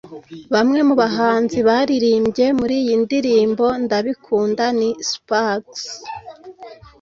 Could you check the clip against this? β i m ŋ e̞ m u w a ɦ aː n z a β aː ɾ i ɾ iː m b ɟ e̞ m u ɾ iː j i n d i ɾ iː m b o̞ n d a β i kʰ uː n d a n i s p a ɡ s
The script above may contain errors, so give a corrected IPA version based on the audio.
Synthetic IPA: β a m ŋ e̞ m u β a ɦ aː n z i β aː ɾ i ɾ iː m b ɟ e̞ m u ɾ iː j i n d i ɾ iː m b o̞ n d a β i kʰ uː n d a n i s p a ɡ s